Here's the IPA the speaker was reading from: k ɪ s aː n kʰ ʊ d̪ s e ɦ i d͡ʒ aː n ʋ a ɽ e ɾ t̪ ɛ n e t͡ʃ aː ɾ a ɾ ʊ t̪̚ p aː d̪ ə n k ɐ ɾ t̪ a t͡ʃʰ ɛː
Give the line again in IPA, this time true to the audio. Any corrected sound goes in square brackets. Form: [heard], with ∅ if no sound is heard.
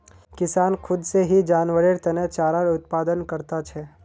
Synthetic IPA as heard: k ɪ s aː n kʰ ʊ d̪ s e ɦ i d͡ʒ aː n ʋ [ə] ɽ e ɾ t̪ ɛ n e t͡ʃ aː ɾ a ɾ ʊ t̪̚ p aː d̪ ə n k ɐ ɾ t̪ a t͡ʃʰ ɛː